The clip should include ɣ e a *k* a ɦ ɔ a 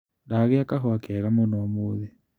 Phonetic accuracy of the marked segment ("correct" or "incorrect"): correct